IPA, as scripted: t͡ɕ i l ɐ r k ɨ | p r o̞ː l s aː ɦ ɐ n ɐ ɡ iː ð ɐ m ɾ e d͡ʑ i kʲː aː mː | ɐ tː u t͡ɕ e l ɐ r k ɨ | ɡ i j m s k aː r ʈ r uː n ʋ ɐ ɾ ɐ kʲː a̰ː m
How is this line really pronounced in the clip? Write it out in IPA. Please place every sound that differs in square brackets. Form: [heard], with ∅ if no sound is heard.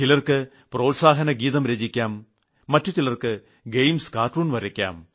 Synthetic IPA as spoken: t͡ɕ i l ɐ r k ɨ | p r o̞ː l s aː ɦ ɐ n ɐ ɡ iː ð ɐ m ɾ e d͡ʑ i kʲː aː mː | ɐ tː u t͡ɕ [i] l ɐ r k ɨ | ɡ [e] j m s k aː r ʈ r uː n ʋ ɐ ɾ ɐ kʲː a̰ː m